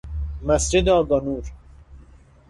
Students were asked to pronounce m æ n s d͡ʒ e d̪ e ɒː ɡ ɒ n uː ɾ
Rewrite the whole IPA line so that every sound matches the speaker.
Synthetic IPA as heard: m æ s d͡ʒ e d̪ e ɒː ɡ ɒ n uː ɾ